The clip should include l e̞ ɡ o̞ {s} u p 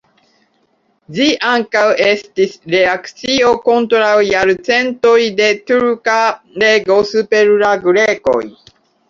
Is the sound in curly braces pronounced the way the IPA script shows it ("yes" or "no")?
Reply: yes